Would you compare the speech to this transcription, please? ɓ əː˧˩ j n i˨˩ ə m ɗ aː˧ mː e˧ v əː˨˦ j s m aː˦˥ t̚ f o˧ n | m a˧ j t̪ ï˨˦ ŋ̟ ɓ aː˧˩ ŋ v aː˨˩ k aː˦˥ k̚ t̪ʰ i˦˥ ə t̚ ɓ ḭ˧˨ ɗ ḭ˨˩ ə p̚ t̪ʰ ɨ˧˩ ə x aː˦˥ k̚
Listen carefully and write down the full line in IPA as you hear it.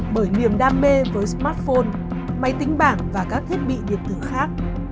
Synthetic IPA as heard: ɓ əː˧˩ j n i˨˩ ə m ɗ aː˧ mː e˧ v əː˨˦ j s m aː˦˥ t̚ f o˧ n | m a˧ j t̪ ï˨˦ ŋ̟ ɓ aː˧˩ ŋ v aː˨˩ k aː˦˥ k̚ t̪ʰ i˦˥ ə t̚ ɓ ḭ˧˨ ɗ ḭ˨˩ ə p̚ t̪ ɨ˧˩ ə x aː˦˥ k̚